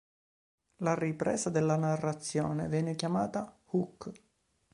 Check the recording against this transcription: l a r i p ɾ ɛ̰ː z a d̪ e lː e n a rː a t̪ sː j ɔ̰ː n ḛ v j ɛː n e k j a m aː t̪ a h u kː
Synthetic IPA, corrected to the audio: l a r i p ɾ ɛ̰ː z a d̪ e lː a n a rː a t̪ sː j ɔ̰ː n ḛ v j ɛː n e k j a m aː t̪ a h u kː